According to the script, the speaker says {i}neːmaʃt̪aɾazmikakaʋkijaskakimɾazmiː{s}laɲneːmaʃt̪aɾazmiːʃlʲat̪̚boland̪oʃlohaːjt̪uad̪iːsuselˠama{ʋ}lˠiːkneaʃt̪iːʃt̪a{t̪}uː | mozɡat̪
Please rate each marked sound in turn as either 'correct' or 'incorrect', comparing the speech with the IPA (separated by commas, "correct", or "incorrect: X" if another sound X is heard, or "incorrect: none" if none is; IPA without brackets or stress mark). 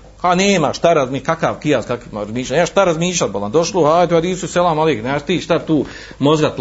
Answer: incorrect: a, incorrect: ʃ, incorrect: none, correct